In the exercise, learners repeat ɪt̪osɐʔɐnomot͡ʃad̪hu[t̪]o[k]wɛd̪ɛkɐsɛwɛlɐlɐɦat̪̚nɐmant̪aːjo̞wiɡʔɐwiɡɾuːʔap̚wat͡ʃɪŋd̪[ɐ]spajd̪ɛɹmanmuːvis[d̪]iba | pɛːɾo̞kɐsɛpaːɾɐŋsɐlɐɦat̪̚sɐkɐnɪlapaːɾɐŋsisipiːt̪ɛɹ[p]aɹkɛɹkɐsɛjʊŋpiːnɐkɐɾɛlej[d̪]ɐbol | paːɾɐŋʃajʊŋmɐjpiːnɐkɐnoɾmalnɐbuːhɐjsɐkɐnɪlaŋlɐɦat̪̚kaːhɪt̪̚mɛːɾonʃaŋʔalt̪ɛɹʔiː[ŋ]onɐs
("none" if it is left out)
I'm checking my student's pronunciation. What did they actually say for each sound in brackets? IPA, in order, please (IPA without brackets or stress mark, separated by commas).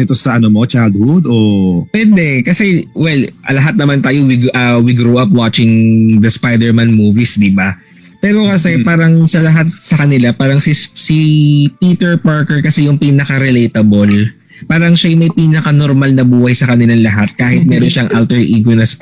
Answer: d̪, p, ɐ, d̪, p, t̪, ɡ